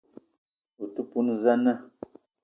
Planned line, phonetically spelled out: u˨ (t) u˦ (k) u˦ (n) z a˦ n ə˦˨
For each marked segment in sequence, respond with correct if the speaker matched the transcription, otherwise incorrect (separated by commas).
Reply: correct, incorrect, correct